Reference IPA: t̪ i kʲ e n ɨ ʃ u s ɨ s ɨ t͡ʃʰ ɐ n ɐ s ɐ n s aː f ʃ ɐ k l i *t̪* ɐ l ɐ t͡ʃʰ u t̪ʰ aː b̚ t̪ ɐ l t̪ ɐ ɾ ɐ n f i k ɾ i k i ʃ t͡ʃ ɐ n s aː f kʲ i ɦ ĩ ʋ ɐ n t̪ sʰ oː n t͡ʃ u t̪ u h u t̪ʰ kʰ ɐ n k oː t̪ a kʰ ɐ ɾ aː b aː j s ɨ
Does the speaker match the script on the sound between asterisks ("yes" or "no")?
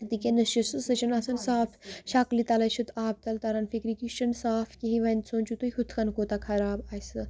yes